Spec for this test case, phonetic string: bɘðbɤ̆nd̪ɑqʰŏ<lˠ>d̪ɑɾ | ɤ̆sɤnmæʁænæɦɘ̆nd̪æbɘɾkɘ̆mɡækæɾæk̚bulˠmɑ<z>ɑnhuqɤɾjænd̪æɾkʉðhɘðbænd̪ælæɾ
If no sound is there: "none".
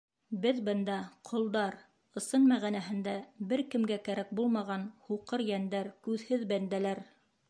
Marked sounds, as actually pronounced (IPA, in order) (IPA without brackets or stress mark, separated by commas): lˠ, ʁ